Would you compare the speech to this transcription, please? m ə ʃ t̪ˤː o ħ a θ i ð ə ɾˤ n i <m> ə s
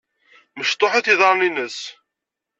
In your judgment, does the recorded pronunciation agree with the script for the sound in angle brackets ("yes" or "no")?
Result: no